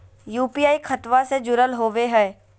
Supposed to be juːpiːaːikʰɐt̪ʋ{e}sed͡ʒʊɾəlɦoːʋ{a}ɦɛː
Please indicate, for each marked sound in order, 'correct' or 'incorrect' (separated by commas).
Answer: incorrect, incorrect